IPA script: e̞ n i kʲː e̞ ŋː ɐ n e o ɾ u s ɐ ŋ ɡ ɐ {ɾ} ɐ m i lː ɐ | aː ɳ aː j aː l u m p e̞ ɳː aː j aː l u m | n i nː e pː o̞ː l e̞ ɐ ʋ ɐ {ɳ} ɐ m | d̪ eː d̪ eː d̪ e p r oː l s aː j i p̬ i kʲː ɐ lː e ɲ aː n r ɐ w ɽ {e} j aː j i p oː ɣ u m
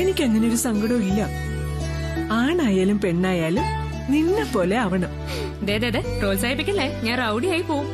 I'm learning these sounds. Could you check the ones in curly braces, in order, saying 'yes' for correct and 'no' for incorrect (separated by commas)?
no, yes, no